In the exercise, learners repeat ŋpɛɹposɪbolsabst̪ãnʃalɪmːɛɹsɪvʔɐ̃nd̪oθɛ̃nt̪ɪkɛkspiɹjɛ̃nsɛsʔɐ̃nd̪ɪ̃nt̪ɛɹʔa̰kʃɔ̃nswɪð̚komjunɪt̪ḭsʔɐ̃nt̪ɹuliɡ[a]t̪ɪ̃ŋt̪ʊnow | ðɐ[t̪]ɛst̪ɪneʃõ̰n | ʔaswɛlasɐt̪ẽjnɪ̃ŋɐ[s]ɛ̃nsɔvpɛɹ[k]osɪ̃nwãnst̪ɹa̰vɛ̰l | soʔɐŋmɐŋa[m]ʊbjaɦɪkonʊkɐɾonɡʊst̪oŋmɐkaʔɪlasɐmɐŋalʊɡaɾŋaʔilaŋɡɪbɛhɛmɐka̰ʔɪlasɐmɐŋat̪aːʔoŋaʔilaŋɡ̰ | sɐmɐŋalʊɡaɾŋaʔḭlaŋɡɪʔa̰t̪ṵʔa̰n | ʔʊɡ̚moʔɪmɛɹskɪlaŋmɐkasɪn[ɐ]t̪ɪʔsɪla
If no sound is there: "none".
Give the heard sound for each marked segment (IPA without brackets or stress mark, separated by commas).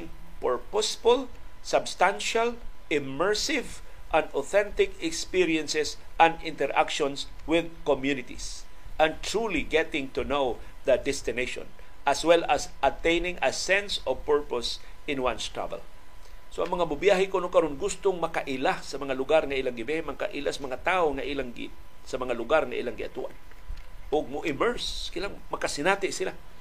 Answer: ɛ, d̪, s, p, m, a